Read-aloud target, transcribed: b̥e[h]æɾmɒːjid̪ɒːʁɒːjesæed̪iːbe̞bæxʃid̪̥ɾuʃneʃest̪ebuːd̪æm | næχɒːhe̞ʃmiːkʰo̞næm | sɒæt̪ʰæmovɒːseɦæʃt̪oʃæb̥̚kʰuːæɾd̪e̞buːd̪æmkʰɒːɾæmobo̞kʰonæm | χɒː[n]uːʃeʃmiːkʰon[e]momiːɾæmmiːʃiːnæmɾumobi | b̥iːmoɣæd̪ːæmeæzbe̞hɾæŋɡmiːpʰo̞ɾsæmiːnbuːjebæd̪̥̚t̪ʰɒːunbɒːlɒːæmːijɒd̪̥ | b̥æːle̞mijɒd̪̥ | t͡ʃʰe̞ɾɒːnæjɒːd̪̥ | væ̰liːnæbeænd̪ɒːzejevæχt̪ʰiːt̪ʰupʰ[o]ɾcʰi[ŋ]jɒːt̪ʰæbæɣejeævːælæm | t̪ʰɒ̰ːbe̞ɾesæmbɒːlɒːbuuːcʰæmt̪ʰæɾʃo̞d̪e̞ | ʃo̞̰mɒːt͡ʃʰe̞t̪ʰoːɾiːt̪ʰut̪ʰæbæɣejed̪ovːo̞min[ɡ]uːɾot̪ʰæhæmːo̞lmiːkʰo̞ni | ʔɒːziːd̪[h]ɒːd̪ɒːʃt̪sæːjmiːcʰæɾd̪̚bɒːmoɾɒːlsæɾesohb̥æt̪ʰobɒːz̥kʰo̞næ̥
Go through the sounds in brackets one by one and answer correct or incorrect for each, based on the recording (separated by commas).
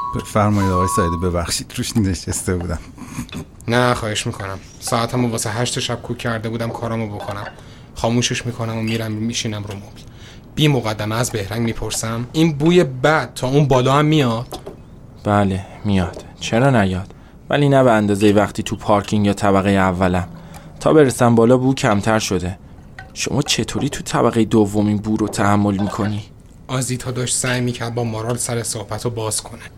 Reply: incorrect, incorrect, incorrect, incorrect, correct, incorrect, correct